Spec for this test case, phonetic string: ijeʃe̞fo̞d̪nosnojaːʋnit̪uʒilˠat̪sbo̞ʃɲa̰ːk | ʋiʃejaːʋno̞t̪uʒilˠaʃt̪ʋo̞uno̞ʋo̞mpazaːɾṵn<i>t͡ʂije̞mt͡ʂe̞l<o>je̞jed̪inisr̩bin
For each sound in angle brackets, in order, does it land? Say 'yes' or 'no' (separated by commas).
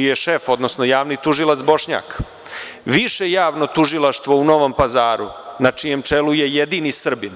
no, no